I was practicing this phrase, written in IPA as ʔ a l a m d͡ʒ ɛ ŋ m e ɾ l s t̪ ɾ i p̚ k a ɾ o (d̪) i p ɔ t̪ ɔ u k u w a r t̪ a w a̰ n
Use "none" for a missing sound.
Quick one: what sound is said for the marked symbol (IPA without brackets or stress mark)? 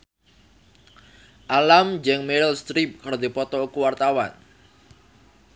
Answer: d̪